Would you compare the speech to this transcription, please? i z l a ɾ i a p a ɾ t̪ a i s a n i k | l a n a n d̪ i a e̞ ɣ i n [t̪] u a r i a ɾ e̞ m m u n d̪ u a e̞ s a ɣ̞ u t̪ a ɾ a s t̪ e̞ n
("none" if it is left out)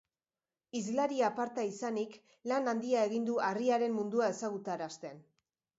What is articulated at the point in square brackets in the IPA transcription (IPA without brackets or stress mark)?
d̪